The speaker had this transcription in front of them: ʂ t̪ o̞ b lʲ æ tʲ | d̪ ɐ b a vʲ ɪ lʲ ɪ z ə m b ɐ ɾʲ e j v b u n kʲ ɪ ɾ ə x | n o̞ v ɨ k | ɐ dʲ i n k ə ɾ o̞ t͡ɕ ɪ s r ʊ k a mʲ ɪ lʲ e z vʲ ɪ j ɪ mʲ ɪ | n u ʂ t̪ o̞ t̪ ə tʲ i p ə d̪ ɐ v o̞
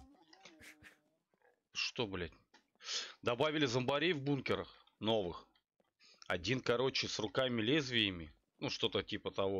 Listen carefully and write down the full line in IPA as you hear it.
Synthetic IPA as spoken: ʂ t̪ o̞ b lʲ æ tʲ | d̪ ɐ b a vʲ ɪ lʲ ɪ z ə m b ɐ ɾʲ e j v b u n kʲ ɪ ɾ ə x | n o̞ v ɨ x | ɐ dʲ i n k ɐ ɾ o̞ t͡ɕ ɪ s r ʊ k a mʲ ɪ lʲ e z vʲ ɪ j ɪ mʲ ɪ | n u ʂ t̪ o̞ t̪ ə tʲ i p ə t̪ ɐ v o̞